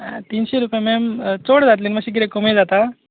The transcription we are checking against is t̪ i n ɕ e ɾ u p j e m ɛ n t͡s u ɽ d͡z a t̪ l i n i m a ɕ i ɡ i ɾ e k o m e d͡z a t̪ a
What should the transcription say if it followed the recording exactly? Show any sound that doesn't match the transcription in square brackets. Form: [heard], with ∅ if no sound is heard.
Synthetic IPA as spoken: t̪ i n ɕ e ɾ u p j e m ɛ [m] t͡s [o] ɽ d͡z a t̪ l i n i m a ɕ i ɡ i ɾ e k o m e d͡z a t̪ a